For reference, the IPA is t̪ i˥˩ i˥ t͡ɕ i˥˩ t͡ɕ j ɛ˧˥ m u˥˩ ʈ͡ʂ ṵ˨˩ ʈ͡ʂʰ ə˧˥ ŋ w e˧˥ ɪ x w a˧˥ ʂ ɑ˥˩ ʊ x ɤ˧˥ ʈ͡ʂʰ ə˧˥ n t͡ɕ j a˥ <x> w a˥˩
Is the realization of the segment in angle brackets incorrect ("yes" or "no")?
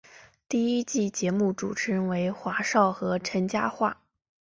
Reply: no